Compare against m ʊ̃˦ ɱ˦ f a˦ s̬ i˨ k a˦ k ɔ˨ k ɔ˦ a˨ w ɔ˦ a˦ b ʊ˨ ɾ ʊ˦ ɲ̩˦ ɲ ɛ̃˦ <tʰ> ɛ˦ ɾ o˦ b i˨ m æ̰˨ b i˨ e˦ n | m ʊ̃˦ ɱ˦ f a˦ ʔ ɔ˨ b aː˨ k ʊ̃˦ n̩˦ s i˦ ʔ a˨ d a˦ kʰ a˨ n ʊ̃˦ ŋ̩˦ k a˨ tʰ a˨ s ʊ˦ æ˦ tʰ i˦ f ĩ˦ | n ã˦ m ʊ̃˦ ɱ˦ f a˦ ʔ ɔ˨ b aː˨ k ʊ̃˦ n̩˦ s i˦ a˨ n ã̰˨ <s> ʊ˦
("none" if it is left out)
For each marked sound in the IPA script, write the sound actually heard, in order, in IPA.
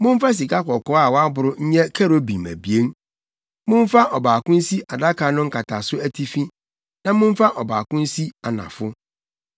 kʰ, f

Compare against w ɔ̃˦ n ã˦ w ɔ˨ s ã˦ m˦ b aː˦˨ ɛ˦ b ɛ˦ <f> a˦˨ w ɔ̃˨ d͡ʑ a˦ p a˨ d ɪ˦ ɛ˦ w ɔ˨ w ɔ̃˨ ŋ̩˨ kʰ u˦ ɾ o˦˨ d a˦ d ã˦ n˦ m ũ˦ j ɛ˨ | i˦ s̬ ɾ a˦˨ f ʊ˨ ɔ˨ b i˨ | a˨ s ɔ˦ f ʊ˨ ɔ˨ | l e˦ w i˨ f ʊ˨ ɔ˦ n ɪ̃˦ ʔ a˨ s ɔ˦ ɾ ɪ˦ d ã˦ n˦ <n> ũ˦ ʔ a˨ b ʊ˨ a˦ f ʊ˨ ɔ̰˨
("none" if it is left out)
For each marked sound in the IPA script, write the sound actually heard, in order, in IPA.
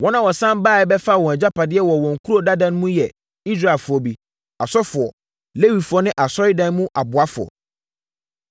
f, m

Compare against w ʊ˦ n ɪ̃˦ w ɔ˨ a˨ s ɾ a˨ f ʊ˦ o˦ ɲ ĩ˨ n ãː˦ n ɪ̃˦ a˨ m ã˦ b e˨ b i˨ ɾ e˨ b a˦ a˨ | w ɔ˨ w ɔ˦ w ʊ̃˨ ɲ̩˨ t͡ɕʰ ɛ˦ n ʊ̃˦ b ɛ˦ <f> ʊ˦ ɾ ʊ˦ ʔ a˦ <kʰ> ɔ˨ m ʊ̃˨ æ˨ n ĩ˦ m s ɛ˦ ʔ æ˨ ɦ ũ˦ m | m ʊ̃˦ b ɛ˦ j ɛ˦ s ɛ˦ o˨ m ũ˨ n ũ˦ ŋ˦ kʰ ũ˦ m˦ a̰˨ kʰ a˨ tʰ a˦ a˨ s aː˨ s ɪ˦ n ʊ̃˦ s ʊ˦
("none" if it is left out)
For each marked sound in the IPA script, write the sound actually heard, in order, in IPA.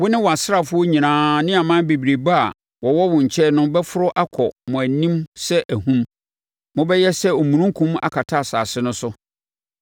f, kʰ

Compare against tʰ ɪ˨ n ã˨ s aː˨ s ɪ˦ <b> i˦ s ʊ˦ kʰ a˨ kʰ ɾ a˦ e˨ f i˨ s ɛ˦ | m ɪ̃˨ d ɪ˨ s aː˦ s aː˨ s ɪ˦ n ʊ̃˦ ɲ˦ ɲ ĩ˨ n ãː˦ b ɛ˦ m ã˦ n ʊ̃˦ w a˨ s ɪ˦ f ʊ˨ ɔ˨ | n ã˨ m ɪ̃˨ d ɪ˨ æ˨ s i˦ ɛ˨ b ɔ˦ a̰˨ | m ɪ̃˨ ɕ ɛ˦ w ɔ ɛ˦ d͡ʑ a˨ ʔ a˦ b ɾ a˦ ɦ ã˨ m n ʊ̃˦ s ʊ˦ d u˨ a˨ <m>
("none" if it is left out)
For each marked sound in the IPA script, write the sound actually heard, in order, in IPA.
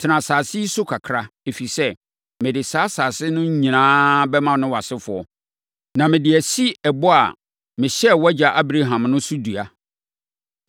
none, none

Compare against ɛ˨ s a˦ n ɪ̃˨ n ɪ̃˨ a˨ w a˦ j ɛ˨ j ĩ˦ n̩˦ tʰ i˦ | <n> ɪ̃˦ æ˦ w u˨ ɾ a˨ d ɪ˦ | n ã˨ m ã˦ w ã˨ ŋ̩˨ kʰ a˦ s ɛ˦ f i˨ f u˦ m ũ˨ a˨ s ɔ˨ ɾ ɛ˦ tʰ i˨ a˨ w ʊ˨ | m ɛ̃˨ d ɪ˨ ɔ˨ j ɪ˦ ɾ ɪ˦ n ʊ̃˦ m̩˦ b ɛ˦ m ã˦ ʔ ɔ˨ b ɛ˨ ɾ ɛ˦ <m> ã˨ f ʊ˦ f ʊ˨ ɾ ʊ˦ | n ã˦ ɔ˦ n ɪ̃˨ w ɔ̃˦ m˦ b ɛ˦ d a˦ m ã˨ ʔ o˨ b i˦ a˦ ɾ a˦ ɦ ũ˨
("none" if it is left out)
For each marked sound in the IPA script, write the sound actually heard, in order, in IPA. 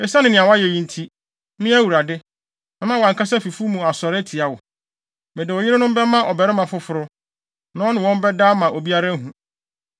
m, m

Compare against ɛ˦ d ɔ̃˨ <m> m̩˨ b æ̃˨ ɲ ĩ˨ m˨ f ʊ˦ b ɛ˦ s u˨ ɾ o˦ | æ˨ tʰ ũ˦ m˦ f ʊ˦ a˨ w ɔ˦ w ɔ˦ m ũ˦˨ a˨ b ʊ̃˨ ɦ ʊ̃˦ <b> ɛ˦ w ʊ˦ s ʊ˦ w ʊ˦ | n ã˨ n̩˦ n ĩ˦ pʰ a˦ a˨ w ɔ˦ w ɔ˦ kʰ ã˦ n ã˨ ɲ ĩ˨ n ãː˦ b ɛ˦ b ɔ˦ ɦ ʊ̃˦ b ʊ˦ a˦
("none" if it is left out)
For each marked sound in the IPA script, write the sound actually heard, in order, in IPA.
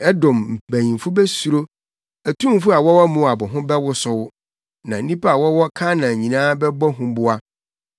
m, b

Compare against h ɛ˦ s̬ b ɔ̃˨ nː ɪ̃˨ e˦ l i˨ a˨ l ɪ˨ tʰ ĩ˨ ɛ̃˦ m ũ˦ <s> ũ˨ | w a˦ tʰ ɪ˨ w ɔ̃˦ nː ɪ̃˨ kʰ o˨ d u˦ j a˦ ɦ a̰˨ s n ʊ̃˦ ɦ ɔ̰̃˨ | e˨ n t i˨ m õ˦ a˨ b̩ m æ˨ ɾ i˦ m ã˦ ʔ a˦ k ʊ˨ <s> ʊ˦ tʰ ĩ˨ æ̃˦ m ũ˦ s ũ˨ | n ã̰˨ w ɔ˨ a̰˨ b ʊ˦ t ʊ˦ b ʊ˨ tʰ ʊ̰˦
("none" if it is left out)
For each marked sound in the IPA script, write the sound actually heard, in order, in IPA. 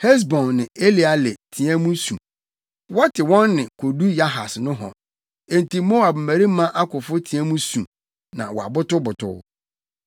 s, f

